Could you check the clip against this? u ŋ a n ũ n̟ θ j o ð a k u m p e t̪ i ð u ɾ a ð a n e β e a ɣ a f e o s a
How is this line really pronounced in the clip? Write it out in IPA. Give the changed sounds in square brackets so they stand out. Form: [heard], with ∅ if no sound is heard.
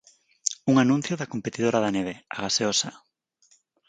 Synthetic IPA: u ŋ a n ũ n̟ θ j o ð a k [o] m p e t̪ i ð [o] ɾ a ð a n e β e a ɣ a [s] e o s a